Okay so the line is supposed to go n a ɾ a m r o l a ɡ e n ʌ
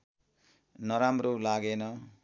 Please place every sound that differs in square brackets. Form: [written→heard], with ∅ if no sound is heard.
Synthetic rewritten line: n [a→ʌ] ɾ a m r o l a ɡ e n ʌ